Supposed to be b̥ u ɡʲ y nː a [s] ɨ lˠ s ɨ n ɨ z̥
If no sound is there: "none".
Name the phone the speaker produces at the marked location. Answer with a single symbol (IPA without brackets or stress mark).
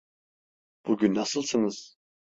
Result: s